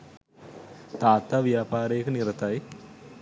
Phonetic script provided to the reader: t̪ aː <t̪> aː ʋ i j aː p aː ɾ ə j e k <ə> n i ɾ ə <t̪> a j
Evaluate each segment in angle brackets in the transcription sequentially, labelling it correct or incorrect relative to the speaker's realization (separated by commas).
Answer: correct, correct, correct